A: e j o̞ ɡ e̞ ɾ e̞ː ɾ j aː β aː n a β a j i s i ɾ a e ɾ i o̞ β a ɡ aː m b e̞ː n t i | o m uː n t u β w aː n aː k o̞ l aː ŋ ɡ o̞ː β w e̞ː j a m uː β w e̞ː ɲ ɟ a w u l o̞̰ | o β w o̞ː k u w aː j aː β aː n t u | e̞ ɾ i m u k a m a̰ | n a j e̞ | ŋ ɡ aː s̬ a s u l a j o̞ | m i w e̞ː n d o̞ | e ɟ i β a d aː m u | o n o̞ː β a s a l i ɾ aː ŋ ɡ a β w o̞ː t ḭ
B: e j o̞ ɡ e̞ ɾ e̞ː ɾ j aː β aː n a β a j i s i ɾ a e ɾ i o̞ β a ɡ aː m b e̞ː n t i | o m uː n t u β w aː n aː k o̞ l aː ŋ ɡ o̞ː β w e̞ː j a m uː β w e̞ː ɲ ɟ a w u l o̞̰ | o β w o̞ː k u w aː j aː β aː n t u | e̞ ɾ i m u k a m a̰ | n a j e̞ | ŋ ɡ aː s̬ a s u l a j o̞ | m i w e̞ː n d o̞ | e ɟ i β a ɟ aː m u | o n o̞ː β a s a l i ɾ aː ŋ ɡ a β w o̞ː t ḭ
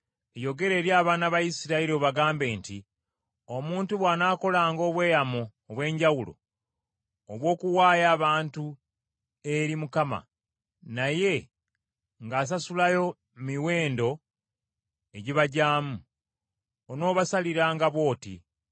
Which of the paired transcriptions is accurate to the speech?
B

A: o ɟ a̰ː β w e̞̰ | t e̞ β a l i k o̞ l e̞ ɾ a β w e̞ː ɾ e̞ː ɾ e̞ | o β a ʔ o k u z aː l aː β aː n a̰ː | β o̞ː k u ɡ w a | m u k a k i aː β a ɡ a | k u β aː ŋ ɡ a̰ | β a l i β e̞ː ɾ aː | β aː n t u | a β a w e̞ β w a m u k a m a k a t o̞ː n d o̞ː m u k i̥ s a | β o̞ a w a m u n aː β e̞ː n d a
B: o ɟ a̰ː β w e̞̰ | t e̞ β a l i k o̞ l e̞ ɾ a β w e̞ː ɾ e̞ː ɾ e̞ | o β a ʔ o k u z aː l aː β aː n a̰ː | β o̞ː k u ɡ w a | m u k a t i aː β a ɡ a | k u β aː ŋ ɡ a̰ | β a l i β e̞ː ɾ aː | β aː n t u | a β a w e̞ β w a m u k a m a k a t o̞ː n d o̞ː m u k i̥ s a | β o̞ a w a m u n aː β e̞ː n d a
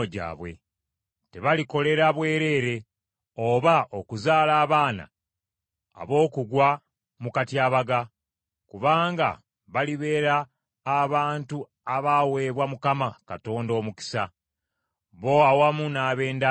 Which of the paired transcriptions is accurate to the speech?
B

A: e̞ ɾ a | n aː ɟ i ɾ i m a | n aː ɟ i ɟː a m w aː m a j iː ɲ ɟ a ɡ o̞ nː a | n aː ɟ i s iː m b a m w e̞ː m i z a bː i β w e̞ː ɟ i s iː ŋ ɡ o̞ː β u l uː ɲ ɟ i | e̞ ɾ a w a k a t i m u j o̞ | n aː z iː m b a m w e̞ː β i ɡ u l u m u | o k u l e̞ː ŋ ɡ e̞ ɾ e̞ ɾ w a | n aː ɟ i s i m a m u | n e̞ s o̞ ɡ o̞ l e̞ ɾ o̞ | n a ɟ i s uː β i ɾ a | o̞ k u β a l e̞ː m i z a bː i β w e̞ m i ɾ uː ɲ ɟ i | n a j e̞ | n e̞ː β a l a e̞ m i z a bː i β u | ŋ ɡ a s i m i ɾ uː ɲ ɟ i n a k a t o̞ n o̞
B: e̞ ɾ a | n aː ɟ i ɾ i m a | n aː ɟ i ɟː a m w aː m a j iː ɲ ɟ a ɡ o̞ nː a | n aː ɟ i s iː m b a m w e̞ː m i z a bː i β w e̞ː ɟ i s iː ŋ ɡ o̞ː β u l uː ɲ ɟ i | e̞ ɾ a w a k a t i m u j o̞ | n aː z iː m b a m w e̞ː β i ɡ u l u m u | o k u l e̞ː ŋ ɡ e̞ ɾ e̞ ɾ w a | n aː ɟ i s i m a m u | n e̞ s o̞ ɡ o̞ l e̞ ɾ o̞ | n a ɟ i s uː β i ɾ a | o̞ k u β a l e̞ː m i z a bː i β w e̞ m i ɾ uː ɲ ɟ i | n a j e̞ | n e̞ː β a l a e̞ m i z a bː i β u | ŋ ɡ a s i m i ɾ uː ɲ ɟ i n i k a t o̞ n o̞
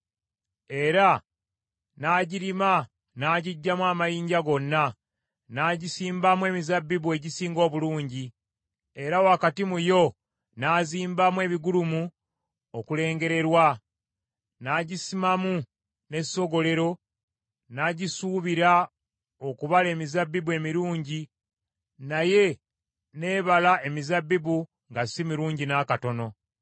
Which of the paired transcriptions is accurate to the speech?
A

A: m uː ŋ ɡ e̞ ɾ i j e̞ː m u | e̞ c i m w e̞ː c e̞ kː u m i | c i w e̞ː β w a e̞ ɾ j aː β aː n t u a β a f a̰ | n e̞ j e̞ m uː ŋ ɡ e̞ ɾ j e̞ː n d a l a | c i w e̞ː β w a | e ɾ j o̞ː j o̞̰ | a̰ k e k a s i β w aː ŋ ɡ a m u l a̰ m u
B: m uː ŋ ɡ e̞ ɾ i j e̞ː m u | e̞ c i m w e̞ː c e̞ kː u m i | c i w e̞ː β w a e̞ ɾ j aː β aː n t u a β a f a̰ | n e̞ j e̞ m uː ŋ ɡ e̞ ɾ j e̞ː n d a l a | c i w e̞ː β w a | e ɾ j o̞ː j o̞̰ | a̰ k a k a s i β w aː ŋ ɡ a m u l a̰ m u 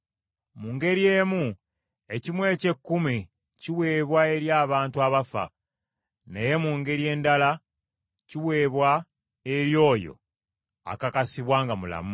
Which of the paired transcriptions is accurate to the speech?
B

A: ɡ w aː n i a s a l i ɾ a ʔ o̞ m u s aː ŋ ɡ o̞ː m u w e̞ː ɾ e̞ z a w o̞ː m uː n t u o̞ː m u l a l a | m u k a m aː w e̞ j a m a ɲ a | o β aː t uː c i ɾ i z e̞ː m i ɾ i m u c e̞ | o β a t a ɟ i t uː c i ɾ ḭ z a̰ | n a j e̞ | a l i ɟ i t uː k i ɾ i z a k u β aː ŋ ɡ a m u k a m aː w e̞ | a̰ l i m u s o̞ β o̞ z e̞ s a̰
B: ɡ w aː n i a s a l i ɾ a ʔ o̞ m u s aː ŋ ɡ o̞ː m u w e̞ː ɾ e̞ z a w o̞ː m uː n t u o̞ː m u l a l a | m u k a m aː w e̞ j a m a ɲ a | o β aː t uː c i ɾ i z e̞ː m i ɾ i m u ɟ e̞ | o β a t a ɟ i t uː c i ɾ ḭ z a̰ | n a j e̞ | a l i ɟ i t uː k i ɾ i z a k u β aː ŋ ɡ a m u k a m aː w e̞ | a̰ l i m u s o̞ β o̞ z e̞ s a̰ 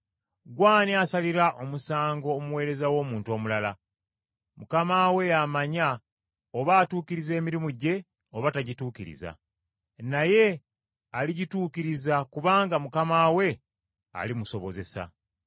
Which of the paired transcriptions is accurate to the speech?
B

